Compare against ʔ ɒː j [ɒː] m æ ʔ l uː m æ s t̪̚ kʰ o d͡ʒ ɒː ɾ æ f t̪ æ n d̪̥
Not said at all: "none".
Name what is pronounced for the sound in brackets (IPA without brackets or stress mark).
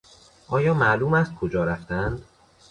ɒː